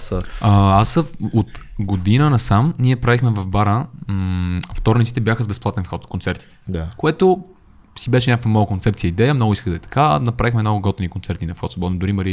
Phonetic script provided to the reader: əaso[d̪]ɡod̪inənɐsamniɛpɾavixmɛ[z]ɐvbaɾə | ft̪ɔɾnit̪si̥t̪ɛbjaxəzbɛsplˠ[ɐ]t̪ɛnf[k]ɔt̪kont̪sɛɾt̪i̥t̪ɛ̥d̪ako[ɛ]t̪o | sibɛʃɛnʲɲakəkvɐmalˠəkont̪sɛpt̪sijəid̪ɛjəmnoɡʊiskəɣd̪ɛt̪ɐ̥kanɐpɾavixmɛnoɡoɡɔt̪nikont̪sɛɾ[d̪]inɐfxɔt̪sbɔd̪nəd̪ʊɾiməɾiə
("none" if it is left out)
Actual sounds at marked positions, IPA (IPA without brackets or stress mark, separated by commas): t̪, v, a, x, ɛ, t̪